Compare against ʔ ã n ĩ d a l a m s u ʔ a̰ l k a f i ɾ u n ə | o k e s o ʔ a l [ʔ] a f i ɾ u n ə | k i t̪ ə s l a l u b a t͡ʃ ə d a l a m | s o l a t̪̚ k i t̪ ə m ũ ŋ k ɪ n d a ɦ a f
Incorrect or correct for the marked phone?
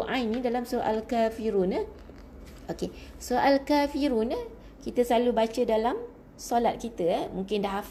incorrect: k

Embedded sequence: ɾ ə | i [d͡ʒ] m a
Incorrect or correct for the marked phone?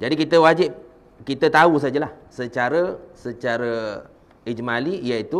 correct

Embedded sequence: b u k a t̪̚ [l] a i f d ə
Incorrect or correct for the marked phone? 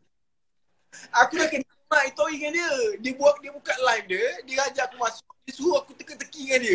correct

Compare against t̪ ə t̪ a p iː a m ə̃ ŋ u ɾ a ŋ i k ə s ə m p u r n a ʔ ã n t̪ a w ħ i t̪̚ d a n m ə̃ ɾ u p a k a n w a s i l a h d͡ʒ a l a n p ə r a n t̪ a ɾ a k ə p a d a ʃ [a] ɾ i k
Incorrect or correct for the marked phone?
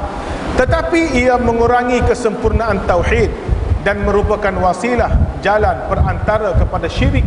incorrect: i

